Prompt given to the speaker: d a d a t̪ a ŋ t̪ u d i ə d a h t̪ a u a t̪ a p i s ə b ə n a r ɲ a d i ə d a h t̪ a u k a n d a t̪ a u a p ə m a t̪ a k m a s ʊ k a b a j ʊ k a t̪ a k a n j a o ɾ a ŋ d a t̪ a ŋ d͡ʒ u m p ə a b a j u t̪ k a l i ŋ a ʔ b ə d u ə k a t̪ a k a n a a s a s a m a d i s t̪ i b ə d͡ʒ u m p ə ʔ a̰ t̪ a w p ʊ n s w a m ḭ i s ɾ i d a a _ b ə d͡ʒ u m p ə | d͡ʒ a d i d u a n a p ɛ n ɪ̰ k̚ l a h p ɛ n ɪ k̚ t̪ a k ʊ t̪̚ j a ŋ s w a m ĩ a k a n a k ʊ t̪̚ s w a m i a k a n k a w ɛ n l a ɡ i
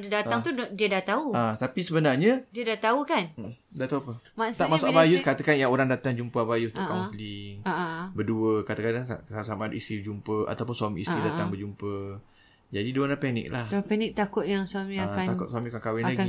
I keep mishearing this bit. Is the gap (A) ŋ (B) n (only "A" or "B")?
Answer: A